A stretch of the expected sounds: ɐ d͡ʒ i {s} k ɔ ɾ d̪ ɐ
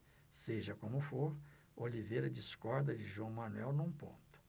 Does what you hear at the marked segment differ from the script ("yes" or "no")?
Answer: no